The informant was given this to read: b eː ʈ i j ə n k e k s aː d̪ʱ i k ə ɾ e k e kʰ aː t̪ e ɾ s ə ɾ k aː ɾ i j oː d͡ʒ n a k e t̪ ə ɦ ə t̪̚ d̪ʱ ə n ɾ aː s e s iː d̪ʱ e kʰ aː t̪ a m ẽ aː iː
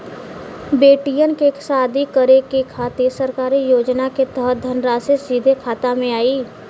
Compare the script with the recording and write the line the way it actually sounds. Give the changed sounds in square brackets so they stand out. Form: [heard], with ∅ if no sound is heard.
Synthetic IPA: b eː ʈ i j ə n k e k s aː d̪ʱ i k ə ɾ e k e kʰ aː t̪ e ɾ s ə ɾ k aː ɾ i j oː d͡ʒ n a k e t̪ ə ɦ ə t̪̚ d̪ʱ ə n ɾ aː s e s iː d̪ʱ e kʰ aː t̪ a m ẽ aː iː